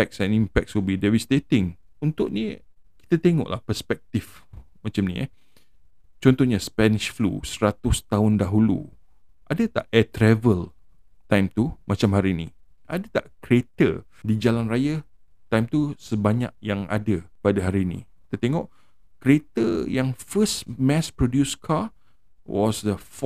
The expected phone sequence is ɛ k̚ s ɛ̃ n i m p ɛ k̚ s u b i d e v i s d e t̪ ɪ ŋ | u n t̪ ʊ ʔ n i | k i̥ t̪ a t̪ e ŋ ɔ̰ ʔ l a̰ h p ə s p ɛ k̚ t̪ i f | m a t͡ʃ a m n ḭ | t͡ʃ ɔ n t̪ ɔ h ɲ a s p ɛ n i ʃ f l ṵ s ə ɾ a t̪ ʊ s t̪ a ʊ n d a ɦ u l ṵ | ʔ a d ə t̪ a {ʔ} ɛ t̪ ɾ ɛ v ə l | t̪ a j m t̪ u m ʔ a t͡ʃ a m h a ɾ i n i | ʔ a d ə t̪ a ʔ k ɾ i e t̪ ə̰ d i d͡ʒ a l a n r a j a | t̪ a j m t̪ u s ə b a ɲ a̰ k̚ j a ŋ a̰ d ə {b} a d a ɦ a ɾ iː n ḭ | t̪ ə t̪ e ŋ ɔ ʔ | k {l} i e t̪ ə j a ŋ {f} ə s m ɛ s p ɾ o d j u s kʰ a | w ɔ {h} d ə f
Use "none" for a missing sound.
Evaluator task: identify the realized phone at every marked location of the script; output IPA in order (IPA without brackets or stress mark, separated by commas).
ʔ, p, ɾ, f, s